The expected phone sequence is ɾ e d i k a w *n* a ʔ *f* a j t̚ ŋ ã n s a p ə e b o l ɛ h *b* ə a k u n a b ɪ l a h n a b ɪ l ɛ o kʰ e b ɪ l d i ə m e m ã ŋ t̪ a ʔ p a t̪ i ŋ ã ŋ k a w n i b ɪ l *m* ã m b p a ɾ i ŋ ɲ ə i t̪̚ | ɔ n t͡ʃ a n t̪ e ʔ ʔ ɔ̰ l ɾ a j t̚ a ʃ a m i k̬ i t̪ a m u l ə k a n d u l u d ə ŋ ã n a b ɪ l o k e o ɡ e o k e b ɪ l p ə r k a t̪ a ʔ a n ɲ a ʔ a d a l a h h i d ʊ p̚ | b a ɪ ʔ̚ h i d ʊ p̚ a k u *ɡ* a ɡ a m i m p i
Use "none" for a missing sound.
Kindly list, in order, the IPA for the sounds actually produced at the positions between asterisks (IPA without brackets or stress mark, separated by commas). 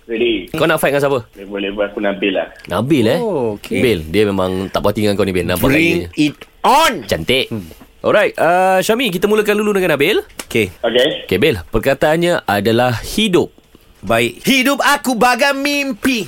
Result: n, f, b, n, b